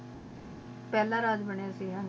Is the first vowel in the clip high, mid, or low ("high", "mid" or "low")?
mid